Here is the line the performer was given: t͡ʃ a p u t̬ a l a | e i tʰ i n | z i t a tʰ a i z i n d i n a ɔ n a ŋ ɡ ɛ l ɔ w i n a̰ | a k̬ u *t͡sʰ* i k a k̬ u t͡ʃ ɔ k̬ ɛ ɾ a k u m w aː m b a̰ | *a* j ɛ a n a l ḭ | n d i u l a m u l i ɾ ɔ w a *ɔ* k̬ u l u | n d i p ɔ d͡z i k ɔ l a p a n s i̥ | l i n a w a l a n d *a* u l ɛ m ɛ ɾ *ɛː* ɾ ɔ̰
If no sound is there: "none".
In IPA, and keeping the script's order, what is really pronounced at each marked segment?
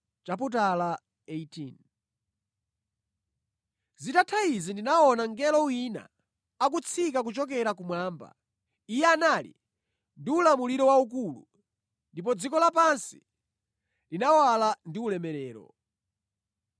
t͡sʰ, i, u, i, ɛː

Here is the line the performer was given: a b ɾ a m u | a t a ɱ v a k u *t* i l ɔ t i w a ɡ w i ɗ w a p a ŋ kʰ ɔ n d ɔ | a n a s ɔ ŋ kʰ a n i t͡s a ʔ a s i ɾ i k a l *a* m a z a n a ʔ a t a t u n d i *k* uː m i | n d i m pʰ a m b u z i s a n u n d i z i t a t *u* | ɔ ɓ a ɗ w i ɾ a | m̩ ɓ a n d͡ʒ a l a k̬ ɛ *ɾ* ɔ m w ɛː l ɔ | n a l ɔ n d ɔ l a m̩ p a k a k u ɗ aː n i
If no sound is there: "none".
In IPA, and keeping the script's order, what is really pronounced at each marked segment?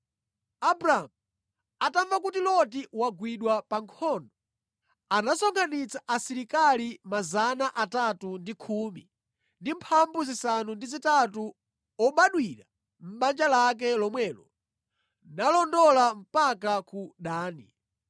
t, i, kʰ, u, l

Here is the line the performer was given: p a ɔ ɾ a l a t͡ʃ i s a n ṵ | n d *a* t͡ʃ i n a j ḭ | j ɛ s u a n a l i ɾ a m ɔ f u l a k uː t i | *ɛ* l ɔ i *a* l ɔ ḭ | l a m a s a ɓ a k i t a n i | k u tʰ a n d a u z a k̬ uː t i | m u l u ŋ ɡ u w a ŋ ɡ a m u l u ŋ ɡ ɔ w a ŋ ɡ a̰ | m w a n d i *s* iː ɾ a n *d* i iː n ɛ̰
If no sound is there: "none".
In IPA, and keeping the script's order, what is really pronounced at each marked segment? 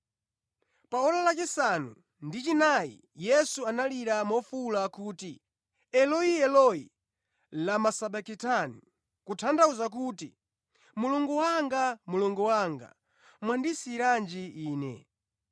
i, ɛ, ɛ, s, d͡ʒ

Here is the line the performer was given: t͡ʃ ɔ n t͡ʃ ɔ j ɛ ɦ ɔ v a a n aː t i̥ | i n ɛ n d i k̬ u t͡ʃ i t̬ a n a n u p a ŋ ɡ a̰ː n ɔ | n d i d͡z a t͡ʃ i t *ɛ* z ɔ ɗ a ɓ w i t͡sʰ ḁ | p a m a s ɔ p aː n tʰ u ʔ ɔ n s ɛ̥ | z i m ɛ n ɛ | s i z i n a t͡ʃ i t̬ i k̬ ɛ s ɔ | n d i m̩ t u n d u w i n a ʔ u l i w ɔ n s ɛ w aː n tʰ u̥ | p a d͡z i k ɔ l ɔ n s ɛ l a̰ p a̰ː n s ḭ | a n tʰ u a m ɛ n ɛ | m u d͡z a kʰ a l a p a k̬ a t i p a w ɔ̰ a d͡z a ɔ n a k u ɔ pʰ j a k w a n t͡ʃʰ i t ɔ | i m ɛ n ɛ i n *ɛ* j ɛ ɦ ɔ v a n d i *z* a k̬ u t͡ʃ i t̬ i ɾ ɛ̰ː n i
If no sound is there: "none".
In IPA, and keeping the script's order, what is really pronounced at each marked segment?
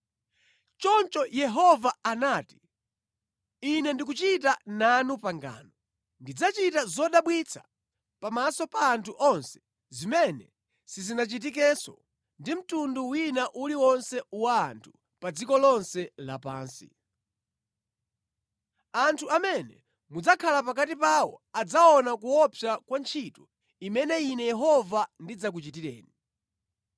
a, ɛ, d͡z

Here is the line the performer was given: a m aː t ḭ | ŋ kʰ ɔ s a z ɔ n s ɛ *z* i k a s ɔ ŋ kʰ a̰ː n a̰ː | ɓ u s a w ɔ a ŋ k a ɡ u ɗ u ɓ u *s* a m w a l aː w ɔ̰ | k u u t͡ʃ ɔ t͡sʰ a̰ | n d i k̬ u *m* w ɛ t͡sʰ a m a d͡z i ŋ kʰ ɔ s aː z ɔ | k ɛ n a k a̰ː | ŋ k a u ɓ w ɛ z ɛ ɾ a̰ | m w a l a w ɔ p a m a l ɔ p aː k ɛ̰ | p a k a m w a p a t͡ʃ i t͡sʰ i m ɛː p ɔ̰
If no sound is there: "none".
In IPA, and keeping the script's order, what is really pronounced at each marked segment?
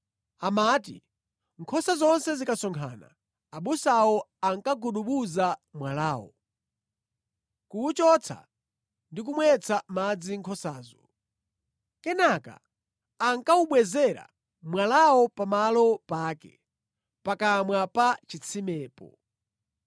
z, z, m

